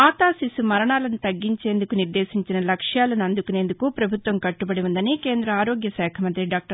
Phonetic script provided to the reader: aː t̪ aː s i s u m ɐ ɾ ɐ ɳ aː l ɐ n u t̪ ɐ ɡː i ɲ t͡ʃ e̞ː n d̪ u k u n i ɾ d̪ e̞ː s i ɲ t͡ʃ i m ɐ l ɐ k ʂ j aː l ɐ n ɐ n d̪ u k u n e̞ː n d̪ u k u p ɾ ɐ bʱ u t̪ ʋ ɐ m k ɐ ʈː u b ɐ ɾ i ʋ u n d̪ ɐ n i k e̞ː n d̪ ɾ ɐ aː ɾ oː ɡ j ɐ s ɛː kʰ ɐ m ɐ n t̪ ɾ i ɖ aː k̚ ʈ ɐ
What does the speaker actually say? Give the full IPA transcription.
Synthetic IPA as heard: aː t̪ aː s i s u m ɐ ɾ ɐ ɳ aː l ɐ n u t̪ ɐ ɡː i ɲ t͡ʃ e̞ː n d̪ u k u n i ɾ d̪ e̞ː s i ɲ t͡ʃ i n ɐ l ɐ k ʂ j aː l ɐ n ɐ n d̪ u k u n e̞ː n d̪ u k u p ɾ ɐ bʱ u t̪ ʋ ɐ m k ɐ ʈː u b ɐ ɽ i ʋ u n d̪ ɐ n i k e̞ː n d̪ ɾ ɐ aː ɾ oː ɡ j ɐ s ɛː kʰ ɐ m ɐ n t̪ ɾ i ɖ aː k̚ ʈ ɐ